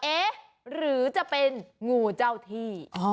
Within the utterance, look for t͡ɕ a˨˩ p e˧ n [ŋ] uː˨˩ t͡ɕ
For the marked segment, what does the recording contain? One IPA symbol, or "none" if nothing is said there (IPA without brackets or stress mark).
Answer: ŋ